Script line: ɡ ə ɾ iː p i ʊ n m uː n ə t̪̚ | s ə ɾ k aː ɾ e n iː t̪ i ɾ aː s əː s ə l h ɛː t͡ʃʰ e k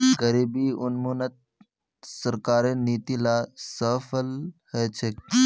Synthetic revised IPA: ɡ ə ɾ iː b i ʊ n m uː n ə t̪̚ | s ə ɾ k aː ɾ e n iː t̪ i l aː s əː f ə l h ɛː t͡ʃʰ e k